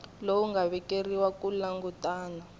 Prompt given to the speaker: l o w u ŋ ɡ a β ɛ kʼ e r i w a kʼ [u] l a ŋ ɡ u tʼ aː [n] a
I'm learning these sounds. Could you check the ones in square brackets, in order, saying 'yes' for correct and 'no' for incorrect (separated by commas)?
yes, yes